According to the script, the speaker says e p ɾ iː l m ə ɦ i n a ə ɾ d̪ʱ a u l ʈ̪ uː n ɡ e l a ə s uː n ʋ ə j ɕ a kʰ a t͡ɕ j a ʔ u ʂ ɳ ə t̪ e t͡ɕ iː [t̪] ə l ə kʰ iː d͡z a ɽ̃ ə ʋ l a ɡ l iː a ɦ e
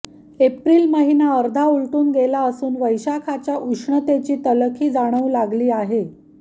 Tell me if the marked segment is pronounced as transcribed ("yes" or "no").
yes